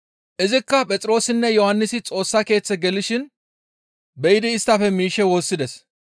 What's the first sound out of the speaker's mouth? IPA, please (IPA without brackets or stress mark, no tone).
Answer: ʔ